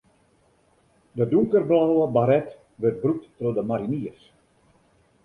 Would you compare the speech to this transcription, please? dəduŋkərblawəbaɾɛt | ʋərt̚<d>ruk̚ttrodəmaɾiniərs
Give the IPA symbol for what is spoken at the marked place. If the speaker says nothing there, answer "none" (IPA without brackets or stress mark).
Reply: b